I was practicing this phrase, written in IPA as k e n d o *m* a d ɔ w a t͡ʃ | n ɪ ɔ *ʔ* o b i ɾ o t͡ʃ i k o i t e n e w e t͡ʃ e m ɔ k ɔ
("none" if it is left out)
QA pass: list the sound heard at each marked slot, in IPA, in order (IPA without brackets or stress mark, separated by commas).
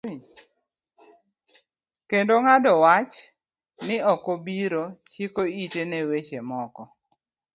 ŋ, k